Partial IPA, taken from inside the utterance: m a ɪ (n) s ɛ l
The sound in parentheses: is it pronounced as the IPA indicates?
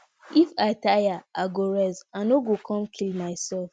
no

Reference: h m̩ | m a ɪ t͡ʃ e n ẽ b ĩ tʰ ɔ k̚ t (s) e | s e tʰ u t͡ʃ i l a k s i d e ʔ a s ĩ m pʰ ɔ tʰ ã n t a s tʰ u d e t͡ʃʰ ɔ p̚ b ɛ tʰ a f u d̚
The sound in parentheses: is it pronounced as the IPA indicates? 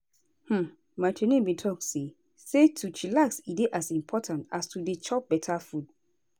yes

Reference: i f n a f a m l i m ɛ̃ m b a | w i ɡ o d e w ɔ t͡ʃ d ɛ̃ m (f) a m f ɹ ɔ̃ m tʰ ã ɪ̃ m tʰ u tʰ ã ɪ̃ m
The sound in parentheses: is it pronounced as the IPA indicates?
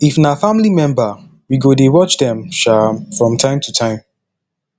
no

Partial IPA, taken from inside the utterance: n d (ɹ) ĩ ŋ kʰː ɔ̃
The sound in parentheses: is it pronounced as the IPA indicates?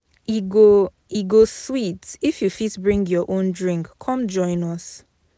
yes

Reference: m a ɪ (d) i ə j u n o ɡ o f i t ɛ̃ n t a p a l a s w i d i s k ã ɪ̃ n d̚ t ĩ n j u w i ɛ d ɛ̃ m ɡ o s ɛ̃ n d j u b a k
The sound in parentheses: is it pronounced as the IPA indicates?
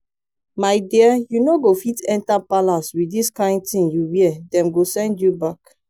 yes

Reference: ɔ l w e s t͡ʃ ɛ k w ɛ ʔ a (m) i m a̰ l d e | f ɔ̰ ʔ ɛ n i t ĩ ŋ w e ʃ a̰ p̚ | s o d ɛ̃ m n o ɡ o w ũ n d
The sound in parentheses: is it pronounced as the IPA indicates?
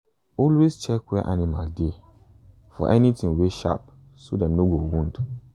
no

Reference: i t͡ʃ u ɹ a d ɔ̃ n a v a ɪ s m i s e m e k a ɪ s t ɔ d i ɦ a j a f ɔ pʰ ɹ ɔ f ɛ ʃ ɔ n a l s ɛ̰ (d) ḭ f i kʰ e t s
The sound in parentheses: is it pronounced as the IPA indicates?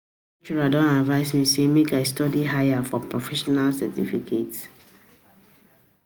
no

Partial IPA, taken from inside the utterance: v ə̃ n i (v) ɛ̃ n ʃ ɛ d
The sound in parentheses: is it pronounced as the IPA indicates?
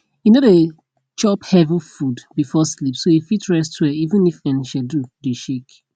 no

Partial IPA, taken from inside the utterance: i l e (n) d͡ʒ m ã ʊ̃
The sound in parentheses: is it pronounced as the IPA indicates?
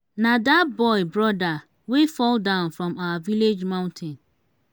no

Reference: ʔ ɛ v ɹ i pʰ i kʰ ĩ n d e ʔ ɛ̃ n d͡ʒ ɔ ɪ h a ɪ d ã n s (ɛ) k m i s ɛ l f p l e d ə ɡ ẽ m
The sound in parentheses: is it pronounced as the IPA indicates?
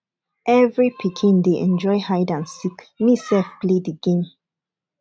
no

